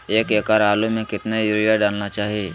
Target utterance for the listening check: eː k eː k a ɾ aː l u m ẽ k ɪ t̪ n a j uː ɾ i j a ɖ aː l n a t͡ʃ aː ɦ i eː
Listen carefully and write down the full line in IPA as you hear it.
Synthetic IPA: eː k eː k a ɾ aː l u m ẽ k ɪ t̪ n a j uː ɾ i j a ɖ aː l n a t͡ʃ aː ɦ i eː